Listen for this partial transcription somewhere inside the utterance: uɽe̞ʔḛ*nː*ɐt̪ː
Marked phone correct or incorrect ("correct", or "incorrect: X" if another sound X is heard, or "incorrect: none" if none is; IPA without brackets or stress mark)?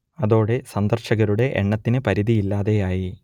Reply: incorrect: ɳː